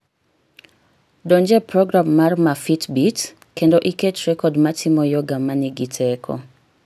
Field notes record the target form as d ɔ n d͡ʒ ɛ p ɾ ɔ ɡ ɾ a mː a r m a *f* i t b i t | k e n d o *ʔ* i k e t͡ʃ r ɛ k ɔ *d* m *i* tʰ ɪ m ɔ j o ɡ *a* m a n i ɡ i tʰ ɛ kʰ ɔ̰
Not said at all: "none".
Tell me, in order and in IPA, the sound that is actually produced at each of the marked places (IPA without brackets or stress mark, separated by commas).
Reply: f, ʔ, d, a, a